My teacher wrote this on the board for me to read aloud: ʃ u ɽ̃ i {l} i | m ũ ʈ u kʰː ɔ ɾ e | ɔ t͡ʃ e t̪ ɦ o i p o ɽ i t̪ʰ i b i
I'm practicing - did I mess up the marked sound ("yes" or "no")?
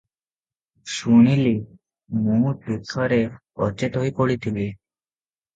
no